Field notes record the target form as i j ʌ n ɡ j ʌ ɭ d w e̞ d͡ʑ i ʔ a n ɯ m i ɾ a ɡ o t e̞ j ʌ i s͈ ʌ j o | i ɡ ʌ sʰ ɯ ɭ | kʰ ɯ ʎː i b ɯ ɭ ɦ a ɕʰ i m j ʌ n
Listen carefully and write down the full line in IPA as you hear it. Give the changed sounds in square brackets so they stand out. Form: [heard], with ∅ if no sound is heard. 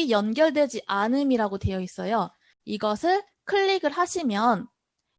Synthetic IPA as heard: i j ʌ n ɡ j ʌ ɭ d w e̞ d͡ʑ i ʔ a n ɯ m i ɾ a ɡ o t e̞ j ʌ i s͈ ʌ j o | i ɡ ʌ sʰ ɯ ɭ | kʰ ɯ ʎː i [ɡ] ɯ ɭ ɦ a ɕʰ i m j ʌ n